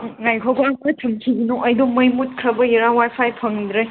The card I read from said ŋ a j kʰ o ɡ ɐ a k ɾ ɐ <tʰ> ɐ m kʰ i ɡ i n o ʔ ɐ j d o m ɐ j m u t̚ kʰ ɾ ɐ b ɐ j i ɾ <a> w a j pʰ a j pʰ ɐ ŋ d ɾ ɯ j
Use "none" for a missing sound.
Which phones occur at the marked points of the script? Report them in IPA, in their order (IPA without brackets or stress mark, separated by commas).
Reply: tʰ, a